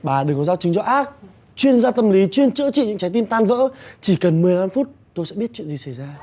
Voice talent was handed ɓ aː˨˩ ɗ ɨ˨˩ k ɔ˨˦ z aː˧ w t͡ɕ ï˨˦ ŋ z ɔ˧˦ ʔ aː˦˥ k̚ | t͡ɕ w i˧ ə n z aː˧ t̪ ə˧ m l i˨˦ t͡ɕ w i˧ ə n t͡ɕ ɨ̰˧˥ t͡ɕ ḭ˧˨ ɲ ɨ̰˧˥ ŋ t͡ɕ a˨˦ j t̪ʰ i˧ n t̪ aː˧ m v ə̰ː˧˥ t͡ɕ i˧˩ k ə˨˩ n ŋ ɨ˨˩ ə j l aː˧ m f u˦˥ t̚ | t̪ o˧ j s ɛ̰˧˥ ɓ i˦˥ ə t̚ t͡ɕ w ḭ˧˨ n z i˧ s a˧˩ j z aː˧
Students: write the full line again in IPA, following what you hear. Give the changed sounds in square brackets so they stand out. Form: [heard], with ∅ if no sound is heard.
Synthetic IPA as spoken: ɓ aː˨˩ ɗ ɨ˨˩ k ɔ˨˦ z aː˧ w t͡ɕ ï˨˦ ŋ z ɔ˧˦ ʔ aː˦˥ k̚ | t͡ɕ w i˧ ə n z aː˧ t̪ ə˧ m l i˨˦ t͡ɕ w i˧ ə n t͡ɕ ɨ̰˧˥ t͡ɕ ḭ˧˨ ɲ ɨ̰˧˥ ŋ t͡ɕ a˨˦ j [t̪] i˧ n t̪ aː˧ [n] v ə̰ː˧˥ t͡ɕ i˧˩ k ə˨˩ n [m] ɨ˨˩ ə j l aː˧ m f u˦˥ t̚ | t̪ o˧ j s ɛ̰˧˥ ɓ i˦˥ ə t̚ t͡ɕ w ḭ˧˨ n z [i˨˩] s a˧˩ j z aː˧